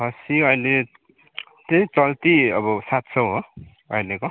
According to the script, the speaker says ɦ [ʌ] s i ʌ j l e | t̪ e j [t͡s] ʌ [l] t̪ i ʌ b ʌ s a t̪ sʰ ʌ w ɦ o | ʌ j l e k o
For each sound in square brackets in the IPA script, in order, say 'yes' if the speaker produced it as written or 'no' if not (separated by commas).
yes, yes, yes